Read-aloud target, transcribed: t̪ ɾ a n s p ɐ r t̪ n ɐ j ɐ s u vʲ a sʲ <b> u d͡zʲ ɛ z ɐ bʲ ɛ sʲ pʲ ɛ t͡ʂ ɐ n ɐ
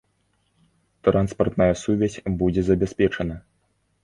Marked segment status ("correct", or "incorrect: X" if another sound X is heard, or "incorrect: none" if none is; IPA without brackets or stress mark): correct